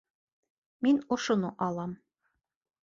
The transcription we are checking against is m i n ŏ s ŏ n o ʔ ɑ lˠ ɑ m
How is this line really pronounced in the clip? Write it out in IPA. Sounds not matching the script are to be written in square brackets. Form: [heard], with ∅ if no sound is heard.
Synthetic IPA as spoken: m i n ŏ [ʃ] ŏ n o ʔ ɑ lˠ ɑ m